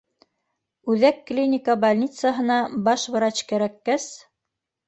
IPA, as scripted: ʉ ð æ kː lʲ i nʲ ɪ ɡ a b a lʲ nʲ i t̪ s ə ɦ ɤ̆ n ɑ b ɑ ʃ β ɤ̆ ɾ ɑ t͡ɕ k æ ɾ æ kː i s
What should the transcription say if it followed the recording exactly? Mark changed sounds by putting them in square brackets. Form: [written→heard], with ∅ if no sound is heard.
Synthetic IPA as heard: ʉ ð æ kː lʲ i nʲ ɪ [ɡ→k] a b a lʲ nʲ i t̪ s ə ɦ ɤ̆ n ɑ b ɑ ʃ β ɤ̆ ɾ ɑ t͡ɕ k æ ɾ æ kː [i→æ] s